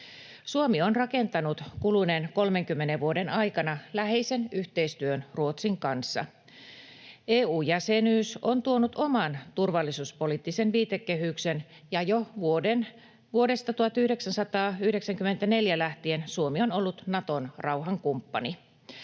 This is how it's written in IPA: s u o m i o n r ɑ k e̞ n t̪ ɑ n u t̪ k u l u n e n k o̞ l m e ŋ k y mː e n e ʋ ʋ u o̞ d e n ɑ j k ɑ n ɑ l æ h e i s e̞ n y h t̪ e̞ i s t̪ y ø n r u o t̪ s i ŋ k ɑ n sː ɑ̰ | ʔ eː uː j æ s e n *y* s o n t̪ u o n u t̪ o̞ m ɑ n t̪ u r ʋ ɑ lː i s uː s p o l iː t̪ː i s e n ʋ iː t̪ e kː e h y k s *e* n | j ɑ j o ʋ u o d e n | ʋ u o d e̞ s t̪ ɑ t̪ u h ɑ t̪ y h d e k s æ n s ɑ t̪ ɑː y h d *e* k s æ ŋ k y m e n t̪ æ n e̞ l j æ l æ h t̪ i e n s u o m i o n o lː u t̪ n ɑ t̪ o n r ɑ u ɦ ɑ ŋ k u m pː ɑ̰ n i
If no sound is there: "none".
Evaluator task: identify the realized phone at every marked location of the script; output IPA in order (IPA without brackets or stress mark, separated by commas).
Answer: yː, e, e